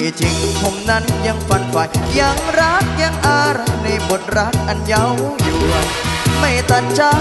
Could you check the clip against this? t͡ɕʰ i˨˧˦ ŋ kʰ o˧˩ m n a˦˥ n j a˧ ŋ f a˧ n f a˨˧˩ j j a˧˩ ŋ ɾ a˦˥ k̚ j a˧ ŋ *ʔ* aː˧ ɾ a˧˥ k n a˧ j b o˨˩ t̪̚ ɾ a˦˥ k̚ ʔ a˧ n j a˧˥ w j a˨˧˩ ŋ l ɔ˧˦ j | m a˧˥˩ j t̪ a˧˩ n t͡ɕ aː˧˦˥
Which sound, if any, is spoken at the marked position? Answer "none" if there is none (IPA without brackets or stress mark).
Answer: ʔ